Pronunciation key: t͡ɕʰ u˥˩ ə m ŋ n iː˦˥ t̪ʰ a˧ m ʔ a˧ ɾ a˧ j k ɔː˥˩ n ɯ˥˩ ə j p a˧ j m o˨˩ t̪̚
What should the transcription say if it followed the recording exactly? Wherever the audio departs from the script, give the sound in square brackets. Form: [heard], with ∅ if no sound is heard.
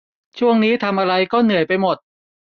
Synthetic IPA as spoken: t͡ɕʰ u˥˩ ə [∅] ŋ n iː˦˥ t̪ʰ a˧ m ʔ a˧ ɾ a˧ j k ɔː˥˩ n [ɯ˨˩] ə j p a˧ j m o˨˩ t̪̚